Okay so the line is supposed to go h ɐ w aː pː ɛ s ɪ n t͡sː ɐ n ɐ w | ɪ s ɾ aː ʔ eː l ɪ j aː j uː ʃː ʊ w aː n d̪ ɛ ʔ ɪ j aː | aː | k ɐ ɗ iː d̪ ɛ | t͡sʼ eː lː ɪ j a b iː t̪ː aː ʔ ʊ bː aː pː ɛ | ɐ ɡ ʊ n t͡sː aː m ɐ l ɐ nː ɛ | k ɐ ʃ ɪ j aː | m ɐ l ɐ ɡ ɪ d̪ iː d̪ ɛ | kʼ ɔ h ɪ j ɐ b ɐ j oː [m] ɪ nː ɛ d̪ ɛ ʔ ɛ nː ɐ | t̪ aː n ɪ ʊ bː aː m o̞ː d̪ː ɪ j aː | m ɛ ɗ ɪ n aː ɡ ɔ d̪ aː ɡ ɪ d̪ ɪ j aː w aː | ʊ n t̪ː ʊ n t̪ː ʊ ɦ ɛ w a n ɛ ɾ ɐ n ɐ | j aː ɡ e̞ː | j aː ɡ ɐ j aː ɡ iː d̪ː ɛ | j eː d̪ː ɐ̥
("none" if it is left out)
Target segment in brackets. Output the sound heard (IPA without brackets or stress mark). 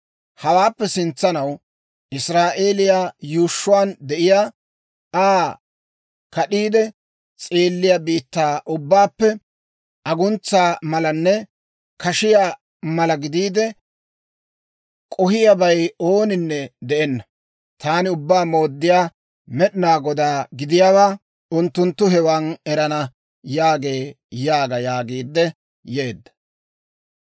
n